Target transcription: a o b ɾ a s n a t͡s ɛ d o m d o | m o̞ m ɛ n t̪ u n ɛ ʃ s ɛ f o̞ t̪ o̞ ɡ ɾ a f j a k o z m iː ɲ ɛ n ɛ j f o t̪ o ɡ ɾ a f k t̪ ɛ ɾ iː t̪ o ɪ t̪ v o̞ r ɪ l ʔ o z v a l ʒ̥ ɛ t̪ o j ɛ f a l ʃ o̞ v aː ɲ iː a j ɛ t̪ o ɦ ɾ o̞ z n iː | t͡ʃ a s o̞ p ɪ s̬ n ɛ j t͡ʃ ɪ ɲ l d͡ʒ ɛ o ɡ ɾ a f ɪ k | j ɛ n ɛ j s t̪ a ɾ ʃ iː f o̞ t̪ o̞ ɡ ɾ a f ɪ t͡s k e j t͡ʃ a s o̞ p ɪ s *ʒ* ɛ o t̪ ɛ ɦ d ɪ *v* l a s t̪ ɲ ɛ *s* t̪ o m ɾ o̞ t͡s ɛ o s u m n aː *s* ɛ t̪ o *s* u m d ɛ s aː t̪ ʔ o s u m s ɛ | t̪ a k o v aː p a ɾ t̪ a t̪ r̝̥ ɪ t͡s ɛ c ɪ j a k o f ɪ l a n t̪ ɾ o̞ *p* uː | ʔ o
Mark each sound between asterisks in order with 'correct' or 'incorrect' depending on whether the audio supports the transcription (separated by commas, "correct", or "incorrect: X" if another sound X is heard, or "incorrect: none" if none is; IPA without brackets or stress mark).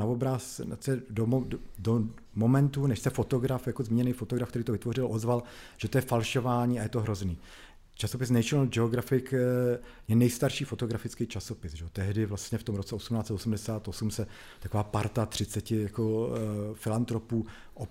correct, correct, incorrect: f, incorrect: t͡s, correct, correct